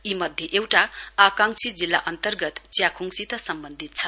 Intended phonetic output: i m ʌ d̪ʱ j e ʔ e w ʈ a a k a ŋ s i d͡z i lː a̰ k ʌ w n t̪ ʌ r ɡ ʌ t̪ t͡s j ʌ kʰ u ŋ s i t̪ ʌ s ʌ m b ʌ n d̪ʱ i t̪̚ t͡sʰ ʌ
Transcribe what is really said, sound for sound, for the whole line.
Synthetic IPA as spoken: i m ʌ d̪ʱ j e ʔ e w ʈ a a k a ŋ s i d͡z i lː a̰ ʔ ʌ n t̪ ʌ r ɡ ʌ t̪ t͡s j a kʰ u ŋ s i t̪ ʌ s ʌ m b ʌ n d̪ʱ i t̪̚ t͡sʰ ʌ